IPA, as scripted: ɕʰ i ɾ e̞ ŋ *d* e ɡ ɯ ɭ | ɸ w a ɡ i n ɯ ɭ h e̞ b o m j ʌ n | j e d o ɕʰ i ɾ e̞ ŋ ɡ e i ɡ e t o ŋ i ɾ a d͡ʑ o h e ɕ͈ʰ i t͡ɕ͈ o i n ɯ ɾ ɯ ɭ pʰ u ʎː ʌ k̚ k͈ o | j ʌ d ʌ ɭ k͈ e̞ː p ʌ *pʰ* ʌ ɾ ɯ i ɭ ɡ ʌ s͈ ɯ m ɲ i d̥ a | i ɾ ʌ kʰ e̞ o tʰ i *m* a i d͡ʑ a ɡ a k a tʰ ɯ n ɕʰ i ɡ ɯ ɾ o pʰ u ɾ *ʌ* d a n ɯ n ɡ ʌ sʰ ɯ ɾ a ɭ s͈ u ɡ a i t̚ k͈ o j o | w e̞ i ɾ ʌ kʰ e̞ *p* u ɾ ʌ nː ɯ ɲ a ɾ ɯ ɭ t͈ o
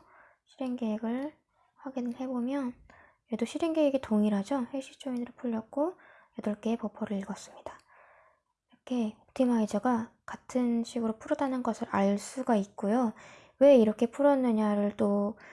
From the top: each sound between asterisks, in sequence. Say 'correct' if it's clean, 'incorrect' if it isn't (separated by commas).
incorrect, correct, correct, correct, incorrect